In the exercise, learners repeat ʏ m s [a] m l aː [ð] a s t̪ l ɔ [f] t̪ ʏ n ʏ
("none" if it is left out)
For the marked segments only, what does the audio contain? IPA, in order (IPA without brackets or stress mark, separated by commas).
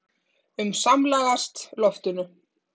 a, ɣ, f